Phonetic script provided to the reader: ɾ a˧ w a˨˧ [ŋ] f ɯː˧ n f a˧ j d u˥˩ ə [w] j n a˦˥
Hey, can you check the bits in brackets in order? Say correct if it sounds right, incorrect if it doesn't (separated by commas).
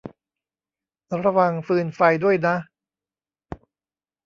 correct, incorrect